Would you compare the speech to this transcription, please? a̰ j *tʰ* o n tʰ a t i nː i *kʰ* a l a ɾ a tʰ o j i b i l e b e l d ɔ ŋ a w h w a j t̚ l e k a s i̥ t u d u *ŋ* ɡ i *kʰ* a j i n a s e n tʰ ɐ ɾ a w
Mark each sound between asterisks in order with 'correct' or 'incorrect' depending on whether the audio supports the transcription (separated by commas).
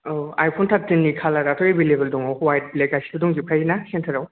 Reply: incorrect, correct, correct, incorrect